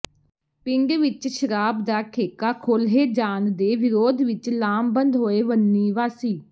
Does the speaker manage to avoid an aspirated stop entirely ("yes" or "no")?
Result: no